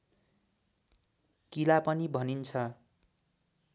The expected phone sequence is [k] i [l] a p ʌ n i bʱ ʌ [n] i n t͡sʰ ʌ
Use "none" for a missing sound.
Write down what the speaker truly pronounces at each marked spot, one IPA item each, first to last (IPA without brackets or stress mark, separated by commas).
k, l, n